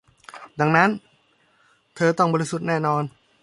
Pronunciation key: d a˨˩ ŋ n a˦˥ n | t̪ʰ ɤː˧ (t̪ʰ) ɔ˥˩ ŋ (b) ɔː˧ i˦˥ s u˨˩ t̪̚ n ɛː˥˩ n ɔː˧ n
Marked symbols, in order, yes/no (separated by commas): no, yes